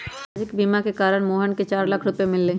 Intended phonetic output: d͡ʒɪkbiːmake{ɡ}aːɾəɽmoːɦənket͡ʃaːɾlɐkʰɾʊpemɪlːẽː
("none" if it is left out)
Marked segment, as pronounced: k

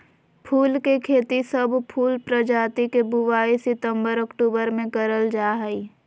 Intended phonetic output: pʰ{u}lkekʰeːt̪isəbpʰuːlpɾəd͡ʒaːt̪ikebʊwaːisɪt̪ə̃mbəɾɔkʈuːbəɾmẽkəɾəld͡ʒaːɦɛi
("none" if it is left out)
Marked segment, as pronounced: uː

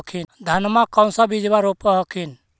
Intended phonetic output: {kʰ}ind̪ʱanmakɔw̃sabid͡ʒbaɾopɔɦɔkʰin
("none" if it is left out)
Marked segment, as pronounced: kʰ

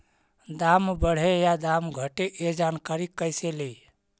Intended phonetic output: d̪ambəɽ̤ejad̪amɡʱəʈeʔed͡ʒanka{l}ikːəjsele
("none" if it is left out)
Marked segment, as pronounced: ɾ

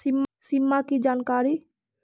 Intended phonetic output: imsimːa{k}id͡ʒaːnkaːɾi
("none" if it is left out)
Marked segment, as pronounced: k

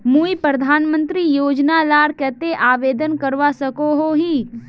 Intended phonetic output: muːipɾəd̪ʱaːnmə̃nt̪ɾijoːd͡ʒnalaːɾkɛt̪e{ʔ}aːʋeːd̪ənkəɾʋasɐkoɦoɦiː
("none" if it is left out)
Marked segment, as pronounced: ʔ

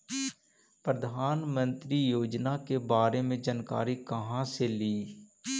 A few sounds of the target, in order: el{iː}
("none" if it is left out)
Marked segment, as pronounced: iː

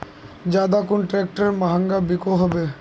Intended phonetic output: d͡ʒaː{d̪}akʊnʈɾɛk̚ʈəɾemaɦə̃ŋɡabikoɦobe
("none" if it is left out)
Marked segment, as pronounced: d̪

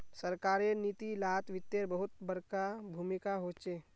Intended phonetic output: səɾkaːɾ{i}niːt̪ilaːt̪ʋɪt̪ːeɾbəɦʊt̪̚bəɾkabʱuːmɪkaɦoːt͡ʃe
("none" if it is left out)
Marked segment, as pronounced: e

